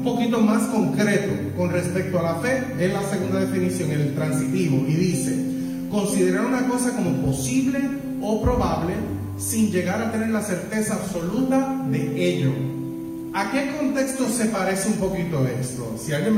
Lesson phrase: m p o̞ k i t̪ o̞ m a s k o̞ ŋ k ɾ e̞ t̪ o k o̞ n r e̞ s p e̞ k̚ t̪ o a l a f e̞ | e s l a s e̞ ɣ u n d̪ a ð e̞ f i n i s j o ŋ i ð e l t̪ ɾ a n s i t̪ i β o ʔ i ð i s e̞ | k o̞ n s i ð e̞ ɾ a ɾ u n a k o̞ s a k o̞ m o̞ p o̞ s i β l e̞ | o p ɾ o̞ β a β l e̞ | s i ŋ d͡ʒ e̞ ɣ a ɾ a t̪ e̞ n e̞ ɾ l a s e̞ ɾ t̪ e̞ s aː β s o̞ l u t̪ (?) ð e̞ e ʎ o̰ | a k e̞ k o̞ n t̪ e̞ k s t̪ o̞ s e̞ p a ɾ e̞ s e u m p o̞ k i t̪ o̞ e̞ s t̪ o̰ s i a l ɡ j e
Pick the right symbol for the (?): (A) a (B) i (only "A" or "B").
A